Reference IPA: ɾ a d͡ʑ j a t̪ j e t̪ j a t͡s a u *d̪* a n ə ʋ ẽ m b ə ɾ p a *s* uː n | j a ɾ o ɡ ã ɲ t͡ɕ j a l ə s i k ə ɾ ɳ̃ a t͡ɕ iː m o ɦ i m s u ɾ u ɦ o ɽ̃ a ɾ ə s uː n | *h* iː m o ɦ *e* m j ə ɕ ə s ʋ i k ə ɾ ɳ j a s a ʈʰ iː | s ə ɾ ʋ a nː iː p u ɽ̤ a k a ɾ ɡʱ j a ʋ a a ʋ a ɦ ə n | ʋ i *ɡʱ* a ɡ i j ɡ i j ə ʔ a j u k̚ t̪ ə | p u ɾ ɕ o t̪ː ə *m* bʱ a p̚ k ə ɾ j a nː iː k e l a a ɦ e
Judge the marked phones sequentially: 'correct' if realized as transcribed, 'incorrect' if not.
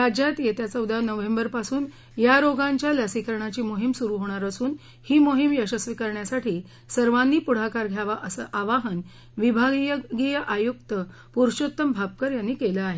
correct, correct, correct, incorrect: i, incorrect: bʱ, correct

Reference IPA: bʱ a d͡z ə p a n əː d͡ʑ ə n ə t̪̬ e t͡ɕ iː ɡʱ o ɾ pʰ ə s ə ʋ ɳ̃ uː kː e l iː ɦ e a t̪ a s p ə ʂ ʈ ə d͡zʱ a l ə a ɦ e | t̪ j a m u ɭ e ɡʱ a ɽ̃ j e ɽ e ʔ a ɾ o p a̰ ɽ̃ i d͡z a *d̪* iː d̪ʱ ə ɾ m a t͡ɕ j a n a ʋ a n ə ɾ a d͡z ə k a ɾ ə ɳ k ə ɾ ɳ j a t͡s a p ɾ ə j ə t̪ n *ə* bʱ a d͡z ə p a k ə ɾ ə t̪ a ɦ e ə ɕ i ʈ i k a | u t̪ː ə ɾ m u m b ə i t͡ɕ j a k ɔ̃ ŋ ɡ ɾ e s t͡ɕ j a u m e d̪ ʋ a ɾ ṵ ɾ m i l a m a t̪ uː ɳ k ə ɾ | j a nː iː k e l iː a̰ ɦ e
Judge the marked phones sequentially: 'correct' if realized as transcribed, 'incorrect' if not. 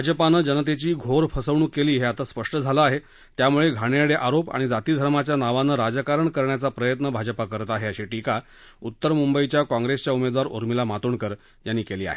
incorrect: t̪, correct

